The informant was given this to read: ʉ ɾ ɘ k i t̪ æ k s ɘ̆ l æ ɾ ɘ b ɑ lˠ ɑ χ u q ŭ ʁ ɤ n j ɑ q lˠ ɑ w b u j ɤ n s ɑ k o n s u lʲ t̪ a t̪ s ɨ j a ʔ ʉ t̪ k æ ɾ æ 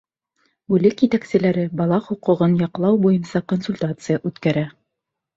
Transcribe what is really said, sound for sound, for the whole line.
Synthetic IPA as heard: ʉ l ɘ k i t̪ æ k s ɘ̆ l æ ɾ ɘ b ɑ lˠ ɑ χ u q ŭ ʁ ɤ n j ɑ q lˠ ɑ w b u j ɤ n s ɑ k o n s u lʲ t̪ a t̪ s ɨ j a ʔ ʉ t̪ k æ ɾ æ

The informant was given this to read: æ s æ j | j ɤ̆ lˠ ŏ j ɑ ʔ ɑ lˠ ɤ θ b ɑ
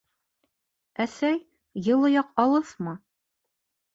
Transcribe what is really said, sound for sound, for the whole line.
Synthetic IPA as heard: æ s æ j | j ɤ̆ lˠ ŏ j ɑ q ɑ lˠ ɤ θ m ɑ

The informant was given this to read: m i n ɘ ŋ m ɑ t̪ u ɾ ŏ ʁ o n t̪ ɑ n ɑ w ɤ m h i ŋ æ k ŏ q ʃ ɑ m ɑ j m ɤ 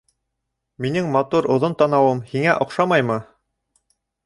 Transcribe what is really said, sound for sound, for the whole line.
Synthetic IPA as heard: m i n ɘ ŋ m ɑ t̪ u ɾ ŏ ð o n t̪ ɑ n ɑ w ɤ m h i ŋ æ ʔ ŏ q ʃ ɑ m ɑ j m ɤ

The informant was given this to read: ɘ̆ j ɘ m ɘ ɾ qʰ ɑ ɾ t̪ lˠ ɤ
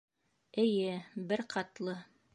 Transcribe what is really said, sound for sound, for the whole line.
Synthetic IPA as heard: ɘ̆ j ɘ b ɘ ɾ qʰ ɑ t̪ lˠ ɤ

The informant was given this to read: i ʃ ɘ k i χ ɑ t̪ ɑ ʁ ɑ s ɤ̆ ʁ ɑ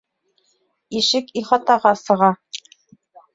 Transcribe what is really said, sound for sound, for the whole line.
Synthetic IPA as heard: i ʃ ɘ k i χ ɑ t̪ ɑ ʁ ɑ s ɤ̆ ʁ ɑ

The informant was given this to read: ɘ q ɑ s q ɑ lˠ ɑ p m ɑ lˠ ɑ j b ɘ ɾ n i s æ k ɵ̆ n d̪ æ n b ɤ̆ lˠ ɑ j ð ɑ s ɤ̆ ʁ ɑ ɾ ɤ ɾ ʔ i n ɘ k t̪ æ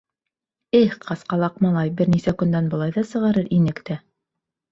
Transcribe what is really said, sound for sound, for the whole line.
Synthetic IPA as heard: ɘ q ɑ s q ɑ lˠ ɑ q m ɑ lˠ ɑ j b ɘ ɾ n i s æ k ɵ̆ n d̪ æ n b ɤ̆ lˠ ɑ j ð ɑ s ɤ̆ ʁ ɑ ɾ ɤ ɾ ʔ i n ɘ k t̪ æ

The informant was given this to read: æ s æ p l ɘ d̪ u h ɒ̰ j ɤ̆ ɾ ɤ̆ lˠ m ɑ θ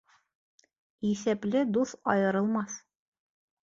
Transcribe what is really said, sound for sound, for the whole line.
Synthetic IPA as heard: i s æ p l ɘ d̪ u θ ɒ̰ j ɤ̆ ɾ ɤ̆ lˠ m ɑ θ

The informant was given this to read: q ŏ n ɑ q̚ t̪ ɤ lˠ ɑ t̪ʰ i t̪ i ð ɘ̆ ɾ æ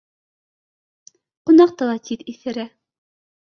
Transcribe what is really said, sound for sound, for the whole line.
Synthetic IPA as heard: q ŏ n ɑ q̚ t̪ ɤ lˠ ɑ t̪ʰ i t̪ i θ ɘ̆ ɾ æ

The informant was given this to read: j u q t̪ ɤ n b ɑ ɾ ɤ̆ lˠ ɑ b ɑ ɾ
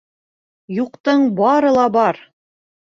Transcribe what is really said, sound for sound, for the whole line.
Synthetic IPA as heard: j u q t̪ ɤ ɴ b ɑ ɾ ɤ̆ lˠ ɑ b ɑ ɾ

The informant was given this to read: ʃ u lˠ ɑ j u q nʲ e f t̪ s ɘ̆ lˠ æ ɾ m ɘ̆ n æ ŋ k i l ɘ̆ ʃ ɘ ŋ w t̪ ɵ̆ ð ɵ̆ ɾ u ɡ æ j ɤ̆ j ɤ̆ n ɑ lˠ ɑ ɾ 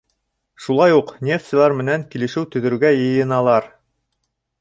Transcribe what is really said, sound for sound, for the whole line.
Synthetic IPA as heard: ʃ u lˠ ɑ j u q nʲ e f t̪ s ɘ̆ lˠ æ ɾ m ɘ̆ n æ ŋ k i l ɘ̆ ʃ ɘ w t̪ ɵ̆ ð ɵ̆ ɾ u ɡ æ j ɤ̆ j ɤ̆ n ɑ lˠ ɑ ɾ

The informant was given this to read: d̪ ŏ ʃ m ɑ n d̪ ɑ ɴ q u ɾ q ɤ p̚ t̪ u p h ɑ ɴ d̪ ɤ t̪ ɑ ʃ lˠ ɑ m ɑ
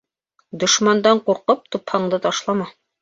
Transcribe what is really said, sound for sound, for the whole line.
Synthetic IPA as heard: d̪ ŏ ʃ m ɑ n d̪ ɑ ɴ q u ɾ q ɤ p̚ t̪ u p h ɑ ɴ d̪ ɤ t̪ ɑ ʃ lˠ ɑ m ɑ

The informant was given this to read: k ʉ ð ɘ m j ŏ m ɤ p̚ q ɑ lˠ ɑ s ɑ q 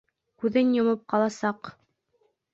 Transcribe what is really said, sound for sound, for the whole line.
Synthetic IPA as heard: k ʉ ð ɘ n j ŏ m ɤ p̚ q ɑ lˠ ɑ s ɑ q

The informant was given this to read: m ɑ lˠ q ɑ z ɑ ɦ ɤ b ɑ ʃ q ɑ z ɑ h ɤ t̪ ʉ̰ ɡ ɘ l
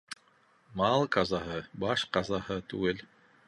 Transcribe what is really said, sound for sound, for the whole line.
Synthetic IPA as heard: m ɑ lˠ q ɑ z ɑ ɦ ɤ b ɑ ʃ q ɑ z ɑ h ɤ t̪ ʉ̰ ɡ ɘ l

